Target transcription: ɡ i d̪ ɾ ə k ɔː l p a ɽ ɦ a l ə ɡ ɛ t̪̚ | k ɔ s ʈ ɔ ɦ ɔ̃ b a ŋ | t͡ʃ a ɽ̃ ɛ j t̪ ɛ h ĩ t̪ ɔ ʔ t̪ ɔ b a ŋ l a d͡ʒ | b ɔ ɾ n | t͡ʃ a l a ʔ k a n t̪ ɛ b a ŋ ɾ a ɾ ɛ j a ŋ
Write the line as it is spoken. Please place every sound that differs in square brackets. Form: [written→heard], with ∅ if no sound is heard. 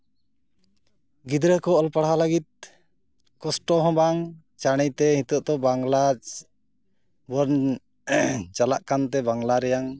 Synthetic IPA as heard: ɡ i d̪ ɾ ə k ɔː l p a ɽ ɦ a l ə ɡ [ɛ→i] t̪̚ | k ɔ s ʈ ɔ ɦ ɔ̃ b a ŋ | t͡ʃ a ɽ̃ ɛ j t̪ ɛ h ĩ t̪ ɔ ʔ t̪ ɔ b a ŋ l a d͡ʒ | b ɔ ɾ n | t͡ʃ a l a ʔ k a n t̪ ɛ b a ŋ [ɾ→l] a ɾ ɛ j a ŋ